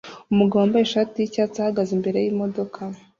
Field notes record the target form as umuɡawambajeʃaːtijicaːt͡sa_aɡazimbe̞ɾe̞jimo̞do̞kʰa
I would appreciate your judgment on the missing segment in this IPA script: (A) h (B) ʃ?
A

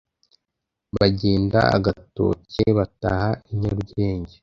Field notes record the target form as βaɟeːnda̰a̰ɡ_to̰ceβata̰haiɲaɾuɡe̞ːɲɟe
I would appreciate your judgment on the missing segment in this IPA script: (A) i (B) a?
B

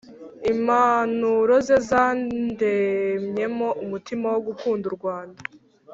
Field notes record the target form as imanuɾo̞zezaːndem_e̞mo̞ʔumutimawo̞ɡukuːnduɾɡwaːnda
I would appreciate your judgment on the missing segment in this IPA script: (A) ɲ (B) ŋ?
A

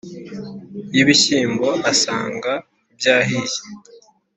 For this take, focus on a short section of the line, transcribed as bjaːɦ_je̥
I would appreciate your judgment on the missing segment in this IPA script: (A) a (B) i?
B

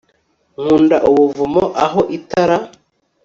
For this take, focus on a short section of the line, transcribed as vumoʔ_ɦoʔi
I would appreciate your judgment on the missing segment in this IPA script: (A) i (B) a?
B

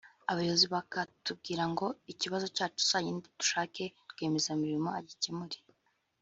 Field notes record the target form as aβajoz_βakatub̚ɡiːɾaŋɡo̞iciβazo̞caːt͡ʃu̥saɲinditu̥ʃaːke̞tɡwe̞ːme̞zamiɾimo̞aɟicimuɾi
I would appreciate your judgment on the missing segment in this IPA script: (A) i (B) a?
A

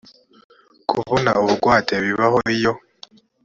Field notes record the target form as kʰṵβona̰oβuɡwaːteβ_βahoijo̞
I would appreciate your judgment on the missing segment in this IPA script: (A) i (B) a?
A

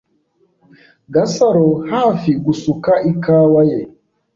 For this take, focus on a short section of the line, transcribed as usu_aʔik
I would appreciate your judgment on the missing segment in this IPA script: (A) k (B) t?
A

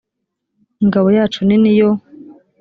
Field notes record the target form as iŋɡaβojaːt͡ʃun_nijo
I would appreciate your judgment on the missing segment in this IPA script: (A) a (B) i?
B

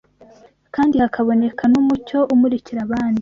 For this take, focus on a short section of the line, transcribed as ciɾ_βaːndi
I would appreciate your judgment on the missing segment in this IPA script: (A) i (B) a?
B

